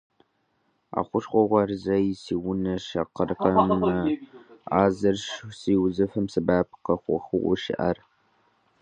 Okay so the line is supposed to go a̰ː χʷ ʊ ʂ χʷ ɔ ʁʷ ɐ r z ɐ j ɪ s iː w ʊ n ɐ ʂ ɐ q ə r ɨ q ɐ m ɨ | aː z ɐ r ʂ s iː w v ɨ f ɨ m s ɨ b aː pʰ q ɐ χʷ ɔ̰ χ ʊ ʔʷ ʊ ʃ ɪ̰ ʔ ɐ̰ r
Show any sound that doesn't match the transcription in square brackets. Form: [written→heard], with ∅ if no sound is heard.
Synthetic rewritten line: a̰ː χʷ ʊ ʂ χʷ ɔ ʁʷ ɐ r z ɐ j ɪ s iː w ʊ n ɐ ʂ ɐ q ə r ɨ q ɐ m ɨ | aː z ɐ r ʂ s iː w [v→z] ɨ f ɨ m s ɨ b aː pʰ q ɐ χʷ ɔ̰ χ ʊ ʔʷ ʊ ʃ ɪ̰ ʔ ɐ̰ r